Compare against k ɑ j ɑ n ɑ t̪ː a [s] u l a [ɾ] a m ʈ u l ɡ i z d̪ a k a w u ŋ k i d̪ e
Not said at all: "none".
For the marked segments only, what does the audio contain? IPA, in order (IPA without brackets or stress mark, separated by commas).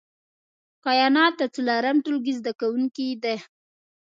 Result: t͡s, ɾ